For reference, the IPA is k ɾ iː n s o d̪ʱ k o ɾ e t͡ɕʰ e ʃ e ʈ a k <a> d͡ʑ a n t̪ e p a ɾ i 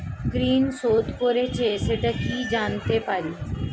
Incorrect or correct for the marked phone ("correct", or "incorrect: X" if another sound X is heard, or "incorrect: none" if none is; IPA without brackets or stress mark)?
incorrect: i